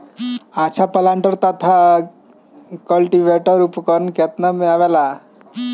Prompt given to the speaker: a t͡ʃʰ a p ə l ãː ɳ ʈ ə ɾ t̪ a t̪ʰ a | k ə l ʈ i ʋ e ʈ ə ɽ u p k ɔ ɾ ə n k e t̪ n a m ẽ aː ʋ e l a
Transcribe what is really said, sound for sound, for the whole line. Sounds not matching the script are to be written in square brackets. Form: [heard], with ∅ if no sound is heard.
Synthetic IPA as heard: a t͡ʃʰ a p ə l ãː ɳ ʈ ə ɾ t̪ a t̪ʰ a | k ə l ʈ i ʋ e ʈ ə [ɾ] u p k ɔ ɾ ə n k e t̪ n a m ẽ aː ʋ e l a